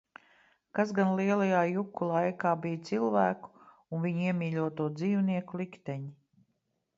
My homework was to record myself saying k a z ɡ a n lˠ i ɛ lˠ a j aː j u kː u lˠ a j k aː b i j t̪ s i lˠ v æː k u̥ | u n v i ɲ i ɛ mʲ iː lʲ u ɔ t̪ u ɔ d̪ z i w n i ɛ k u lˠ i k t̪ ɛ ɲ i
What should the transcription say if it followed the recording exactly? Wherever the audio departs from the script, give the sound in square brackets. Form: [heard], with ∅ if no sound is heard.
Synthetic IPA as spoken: k a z ɡ a n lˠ i ɛ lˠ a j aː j u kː u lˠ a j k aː b i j t̪ s i lˠ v æː k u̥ | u n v i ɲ i ɛ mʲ iː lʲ u ɔ t̪ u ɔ d̪ z [iː] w n i ɛ k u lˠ i k t̪ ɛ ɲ i